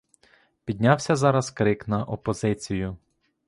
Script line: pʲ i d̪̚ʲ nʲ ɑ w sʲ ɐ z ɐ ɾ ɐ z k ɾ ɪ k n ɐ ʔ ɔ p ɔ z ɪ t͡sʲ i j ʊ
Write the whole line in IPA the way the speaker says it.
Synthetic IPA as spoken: pʲ i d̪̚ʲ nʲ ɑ w sʲ ɐ z ɑ ɾ ɐ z k ɾ ɪ k n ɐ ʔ ɔ p ɔ z ɪ t͡sʲ i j ʊ